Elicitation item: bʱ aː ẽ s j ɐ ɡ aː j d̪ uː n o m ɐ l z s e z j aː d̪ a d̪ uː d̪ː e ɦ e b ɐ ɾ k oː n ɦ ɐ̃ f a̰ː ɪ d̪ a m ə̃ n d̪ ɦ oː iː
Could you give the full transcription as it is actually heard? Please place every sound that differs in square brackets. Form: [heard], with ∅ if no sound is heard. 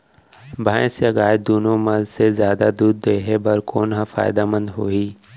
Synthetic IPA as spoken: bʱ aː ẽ s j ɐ ɡ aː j d̪ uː n o m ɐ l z s e z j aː d̪ a d̪ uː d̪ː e ɦ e b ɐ ɾ k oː n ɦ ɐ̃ f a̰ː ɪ d̪ a m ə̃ n d̪ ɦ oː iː